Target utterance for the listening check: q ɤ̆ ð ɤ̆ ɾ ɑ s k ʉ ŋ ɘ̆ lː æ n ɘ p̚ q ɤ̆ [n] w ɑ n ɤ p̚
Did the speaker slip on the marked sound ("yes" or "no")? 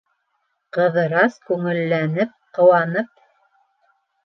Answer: yes